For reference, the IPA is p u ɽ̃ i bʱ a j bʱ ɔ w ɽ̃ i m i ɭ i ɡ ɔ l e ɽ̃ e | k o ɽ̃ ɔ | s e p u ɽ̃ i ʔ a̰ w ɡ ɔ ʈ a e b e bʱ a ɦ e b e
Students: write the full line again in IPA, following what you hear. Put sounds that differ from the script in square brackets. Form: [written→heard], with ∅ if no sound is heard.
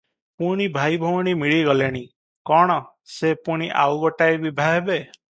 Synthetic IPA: p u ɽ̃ i bʱ a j bʱ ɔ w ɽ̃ i m i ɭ i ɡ ɔ l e ɽ̃ [e→i] | k [o→ɔ] ɽ̃ ɔ | s e p u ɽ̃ i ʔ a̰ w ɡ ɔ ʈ a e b [e→i] bʱ a ɦ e b e